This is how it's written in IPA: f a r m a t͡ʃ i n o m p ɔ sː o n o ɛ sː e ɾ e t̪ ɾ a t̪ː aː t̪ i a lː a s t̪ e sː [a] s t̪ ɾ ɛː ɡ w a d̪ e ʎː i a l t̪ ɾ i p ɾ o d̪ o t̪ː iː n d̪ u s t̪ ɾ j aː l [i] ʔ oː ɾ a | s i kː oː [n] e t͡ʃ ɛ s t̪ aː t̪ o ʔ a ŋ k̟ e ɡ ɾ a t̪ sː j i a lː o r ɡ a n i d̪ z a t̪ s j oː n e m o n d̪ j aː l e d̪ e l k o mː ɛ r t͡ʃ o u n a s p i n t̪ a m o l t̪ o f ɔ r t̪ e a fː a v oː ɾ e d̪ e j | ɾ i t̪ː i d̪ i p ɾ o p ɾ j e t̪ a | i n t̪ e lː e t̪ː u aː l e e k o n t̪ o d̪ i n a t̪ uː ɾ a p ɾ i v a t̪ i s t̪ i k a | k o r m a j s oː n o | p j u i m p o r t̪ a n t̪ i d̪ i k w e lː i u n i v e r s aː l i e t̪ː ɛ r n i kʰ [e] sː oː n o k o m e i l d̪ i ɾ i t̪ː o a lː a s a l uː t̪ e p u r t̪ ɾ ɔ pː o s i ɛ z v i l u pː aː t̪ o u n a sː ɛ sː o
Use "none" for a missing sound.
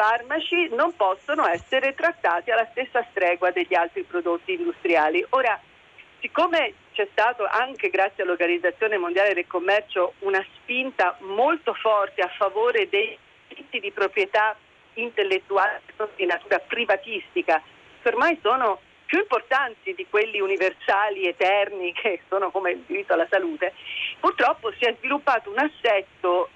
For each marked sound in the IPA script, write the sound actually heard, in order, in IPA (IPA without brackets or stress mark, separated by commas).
a, i, m, e